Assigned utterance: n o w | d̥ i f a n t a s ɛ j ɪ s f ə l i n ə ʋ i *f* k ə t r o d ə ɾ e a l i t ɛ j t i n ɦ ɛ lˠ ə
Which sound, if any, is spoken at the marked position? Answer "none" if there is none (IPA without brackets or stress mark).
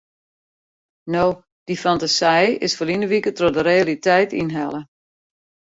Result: none